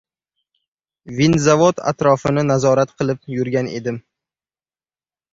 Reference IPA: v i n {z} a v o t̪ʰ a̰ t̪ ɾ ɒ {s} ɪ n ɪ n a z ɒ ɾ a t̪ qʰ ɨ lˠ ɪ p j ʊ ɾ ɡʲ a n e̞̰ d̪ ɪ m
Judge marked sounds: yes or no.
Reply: yes, no

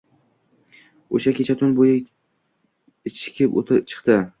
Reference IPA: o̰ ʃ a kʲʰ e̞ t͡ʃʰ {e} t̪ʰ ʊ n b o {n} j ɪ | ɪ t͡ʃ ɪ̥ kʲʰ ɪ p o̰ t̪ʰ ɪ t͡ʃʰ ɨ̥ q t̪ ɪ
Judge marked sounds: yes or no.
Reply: no, no

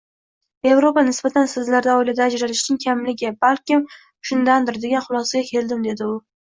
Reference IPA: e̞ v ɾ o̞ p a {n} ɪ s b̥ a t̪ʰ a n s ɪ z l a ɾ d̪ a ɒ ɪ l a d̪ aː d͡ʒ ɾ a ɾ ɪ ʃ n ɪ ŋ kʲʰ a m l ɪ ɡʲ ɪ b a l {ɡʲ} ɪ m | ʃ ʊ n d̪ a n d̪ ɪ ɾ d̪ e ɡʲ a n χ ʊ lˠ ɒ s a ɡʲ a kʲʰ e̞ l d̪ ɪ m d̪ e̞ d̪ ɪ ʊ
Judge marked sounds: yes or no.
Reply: yes, no

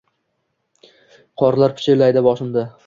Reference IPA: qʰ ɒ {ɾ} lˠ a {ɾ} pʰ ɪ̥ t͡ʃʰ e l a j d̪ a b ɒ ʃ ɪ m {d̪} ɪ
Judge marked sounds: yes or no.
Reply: yes, yes, yes

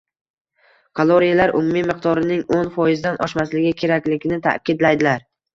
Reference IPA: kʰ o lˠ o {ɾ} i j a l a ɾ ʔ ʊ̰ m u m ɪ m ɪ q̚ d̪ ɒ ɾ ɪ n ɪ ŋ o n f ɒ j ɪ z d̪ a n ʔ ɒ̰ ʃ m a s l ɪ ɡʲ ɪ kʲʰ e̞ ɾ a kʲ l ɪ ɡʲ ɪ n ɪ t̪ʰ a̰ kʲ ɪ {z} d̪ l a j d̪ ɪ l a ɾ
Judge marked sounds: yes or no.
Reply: yes, no

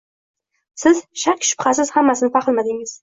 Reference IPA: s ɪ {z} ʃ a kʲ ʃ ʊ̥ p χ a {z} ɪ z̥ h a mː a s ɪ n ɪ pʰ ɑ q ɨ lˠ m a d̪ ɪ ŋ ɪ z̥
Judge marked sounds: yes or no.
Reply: yes, no

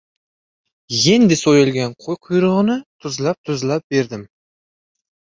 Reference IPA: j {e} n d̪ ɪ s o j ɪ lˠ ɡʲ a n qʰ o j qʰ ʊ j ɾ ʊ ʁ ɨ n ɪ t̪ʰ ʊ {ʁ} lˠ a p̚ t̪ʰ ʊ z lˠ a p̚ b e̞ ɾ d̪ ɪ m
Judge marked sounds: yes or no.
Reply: yes, no

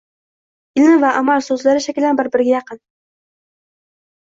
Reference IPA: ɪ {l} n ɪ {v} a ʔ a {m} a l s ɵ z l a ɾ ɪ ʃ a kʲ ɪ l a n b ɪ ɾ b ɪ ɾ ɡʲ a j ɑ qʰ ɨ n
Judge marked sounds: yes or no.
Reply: yes, yes, yes

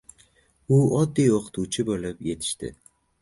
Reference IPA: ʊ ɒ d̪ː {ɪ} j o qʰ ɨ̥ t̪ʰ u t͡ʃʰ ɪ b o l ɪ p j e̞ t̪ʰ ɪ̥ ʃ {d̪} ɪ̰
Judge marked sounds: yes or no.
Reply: no, no

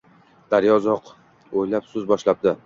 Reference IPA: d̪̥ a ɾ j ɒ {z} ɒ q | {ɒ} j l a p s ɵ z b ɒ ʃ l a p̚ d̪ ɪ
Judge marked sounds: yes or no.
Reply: yes, no

